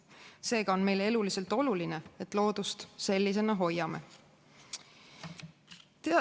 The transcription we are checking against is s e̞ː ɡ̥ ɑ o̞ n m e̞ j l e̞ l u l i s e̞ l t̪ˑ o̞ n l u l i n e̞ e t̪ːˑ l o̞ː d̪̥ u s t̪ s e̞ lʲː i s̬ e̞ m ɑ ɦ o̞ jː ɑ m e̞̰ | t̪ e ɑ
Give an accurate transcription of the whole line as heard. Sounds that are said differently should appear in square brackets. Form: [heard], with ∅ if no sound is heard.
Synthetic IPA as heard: s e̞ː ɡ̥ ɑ o̞ n m e̞ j l e̞ l u l i s e̞ l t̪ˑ o̞ [∅] l u l i n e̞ e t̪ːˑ l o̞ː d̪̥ u s t̪ s e̞ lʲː i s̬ e̞ [n] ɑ ɦ o̞ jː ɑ m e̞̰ | t̪ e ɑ